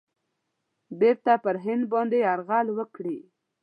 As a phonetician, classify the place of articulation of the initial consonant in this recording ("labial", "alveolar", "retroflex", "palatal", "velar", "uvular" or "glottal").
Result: labial